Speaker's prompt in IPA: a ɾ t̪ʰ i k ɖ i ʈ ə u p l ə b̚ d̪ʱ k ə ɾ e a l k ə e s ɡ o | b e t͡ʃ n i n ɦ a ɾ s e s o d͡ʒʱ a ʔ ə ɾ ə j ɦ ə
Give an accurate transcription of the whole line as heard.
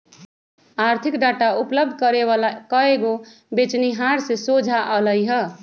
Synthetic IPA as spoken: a ɾ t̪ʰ i k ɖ a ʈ a u p l ə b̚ d̪ʱ k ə ɾ e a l k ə e ɡ o | b e t͡ʃ n i ɦ a ɾ s e s o d͡ʒʱ a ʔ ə l ə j ɦ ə